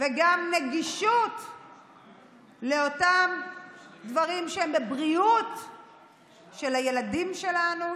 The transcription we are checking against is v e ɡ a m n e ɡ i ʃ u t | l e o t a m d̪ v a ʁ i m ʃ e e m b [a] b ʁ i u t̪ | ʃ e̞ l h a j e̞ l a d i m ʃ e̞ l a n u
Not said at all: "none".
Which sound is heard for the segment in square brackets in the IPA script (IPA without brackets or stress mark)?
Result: e